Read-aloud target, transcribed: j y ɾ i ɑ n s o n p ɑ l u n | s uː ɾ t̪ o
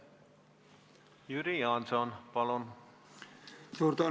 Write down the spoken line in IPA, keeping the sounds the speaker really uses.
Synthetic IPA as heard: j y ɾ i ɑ n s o n p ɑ l o n | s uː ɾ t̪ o